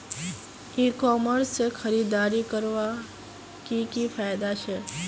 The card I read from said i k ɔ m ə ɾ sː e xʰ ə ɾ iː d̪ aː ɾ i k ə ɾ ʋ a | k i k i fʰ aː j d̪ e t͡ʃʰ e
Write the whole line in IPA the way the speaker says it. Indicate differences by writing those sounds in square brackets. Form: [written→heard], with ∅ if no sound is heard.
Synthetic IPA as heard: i k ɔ m ə ɾ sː e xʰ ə ɾ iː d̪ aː ɾ i k ə ɾ ʋ a | k i k i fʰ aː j d̪ [e→a] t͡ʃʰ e